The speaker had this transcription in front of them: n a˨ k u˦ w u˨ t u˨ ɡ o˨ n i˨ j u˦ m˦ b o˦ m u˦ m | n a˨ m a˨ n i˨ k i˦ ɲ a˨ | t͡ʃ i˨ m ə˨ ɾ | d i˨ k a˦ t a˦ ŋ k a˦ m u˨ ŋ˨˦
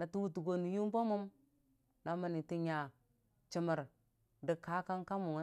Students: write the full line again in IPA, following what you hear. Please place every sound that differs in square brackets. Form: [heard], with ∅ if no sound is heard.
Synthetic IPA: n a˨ [t] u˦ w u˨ t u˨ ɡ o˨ n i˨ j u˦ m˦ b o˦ m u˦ m | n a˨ m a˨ n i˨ [t] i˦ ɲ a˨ | t͡ʃ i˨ m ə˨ ɾ | d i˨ k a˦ [k] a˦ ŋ k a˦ m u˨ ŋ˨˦